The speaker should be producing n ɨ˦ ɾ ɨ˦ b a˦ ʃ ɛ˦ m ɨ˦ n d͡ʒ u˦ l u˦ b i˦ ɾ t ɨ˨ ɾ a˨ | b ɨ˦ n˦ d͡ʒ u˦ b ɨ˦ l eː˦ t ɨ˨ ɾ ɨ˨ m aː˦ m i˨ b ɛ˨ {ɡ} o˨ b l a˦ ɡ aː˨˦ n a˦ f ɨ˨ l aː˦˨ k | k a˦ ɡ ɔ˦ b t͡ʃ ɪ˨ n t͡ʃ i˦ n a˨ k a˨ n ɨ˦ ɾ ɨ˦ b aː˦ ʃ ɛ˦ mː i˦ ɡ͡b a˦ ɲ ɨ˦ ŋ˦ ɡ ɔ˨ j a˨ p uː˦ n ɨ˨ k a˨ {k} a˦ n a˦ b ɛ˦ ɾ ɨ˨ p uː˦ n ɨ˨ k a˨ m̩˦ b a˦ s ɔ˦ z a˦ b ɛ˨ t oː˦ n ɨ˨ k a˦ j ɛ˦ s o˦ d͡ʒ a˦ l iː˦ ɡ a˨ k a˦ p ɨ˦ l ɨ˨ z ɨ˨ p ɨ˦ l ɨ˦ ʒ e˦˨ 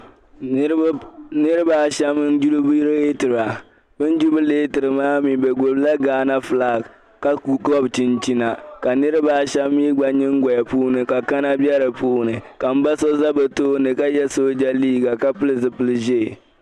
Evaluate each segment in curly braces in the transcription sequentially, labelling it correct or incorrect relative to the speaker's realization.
correct, correct

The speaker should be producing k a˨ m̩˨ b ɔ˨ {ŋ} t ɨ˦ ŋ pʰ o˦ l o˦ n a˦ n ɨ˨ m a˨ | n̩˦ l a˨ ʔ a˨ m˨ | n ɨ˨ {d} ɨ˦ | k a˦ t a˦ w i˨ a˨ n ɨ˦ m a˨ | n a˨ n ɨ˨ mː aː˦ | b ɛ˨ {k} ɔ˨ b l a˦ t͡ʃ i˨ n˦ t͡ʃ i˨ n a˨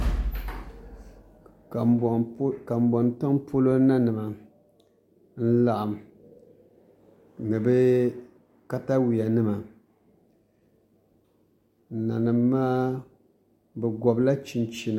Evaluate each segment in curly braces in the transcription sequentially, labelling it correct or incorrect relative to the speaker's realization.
incorrect: n, incorrect: b, incorrect: ɡ

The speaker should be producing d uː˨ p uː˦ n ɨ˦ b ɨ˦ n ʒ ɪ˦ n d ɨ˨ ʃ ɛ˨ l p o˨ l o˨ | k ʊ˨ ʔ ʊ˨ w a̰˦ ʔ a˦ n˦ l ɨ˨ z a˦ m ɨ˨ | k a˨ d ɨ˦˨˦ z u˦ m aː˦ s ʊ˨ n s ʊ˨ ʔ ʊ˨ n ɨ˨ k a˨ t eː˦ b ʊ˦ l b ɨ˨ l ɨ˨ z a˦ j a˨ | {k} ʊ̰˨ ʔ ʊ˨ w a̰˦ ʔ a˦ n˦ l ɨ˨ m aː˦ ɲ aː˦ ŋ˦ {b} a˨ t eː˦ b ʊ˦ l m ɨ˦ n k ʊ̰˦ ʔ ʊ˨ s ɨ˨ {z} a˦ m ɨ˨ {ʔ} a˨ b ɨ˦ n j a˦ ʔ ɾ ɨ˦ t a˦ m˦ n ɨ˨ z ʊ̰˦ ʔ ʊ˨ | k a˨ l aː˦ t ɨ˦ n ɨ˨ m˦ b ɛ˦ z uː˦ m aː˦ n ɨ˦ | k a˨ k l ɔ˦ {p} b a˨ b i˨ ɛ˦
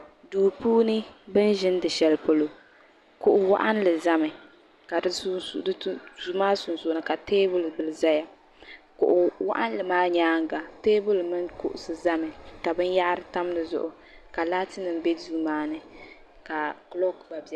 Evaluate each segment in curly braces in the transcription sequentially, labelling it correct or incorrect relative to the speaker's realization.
correct, incorrect: ɡ, correct, incorrect: k, incorrect: k

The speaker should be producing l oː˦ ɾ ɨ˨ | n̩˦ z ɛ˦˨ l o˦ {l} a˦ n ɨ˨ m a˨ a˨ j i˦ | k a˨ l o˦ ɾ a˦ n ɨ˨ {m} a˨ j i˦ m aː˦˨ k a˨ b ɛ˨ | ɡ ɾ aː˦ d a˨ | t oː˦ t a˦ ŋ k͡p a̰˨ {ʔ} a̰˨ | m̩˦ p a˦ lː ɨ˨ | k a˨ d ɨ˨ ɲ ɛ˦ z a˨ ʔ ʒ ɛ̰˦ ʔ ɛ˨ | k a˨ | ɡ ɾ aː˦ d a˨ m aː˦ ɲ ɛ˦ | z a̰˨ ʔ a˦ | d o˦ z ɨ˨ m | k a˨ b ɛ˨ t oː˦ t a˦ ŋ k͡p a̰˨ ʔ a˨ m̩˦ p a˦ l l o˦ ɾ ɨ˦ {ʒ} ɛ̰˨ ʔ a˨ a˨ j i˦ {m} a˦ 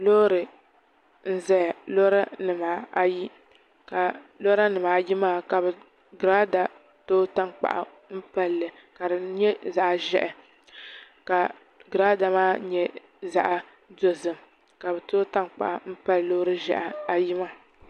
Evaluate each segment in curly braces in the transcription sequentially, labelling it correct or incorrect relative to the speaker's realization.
incorrect: ɾ, correct, correct, correct, correct

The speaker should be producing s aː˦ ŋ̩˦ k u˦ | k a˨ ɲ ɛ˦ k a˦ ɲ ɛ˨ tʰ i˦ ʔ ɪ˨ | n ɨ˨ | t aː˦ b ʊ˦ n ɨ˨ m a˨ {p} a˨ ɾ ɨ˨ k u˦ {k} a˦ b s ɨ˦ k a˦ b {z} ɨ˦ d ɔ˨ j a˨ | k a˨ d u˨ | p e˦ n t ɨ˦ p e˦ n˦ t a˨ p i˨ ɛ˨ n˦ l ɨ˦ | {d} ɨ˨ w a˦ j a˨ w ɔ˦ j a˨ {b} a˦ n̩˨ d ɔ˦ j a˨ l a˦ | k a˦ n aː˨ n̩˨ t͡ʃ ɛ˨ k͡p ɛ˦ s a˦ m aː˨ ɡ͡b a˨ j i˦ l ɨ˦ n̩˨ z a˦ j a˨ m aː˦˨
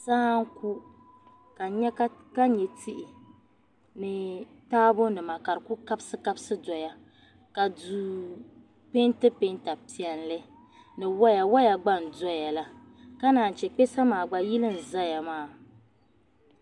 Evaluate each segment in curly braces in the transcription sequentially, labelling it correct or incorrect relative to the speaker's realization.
incorrect: k, correct, incorrect: s, incorrect: n, incorrect: ɡ͡b

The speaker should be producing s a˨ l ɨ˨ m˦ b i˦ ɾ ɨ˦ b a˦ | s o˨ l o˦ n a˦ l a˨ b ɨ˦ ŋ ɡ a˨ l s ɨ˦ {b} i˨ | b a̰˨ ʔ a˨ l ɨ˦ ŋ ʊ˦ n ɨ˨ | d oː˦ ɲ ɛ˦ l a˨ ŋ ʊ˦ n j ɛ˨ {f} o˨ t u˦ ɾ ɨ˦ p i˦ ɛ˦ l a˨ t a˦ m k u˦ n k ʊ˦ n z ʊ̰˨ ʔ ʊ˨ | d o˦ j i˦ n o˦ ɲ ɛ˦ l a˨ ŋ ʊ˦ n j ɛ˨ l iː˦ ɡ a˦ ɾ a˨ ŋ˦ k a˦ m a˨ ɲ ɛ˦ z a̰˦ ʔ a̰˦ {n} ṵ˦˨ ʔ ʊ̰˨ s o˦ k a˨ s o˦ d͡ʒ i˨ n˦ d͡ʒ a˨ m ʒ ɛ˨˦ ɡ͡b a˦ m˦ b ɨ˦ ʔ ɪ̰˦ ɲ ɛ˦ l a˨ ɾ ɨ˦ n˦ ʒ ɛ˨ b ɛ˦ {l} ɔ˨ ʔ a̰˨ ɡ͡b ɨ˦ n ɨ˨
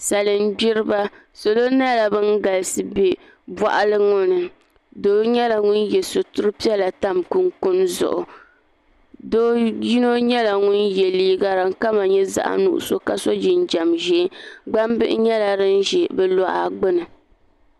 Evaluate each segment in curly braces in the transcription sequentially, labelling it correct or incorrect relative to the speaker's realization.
correct, incorrect: s, correct, correct

